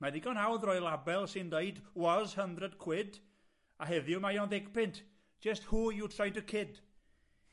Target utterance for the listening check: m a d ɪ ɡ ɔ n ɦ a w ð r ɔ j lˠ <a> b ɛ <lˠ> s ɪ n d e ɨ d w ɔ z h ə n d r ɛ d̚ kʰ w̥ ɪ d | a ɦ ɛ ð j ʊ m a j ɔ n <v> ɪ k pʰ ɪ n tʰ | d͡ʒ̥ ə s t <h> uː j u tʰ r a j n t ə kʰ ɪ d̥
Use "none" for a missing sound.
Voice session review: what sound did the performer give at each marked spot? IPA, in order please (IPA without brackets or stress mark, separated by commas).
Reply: a, lˠ, ð, h